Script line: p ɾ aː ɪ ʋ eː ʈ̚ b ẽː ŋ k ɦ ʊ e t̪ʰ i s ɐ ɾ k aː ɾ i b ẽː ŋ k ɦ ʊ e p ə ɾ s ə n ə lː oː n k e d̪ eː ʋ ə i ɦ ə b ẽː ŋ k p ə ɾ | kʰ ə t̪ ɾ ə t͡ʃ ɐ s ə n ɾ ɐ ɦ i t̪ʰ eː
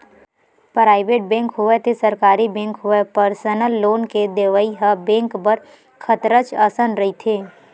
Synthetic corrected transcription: p ɾ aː ɪ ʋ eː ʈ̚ b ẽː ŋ k ɦ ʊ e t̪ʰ e s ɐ ɾ k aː ɾ i b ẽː ŋ k ɦ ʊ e p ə ɾ s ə n ə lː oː n k e d̪ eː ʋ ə i ɦ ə b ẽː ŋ k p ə ɾ | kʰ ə t̪ ɾ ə t͡ʃ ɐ s ə n ɾ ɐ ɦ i t̪ʰ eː